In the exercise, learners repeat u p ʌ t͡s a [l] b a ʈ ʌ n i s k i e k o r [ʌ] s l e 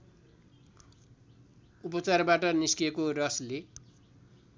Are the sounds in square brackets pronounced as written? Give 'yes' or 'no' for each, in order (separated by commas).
no, yes